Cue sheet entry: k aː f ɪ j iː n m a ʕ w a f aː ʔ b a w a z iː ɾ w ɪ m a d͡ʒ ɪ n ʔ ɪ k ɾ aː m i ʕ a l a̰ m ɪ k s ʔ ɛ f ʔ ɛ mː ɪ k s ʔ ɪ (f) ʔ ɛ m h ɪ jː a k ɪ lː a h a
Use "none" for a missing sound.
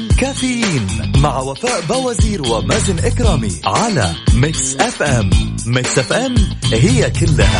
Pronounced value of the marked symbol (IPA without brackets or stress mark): f